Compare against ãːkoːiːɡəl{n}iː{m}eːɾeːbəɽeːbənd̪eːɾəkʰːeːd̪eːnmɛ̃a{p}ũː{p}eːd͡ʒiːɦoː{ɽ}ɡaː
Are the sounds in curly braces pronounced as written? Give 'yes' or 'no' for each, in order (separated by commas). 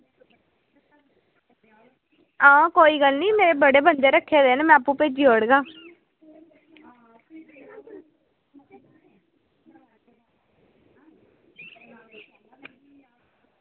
yes, yes, yes, yes, yes